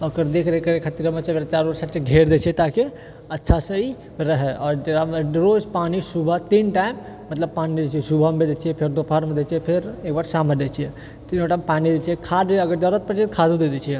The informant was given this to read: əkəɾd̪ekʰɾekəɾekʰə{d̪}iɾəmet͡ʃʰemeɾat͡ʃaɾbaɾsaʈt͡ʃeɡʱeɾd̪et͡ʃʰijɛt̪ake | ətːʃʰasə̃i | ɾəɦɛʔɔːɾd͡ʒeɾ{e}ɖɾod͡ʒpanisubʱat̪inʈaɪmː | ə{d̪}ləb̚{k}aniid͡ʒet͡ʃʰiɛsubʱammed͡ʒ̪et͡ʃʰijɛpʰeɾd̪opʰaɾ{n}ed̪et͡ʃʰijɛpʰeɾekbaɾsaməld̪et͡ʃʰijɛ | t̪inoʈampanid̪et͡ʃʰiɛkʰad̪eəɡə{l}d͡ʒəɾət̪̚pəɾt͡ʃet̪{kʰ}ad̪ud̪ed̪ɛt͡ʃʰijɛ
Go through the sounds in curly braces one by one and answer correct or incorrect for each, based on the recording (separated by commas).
incorrect, incorrect, incorrect, incorrect, incorrect, incorrect, correct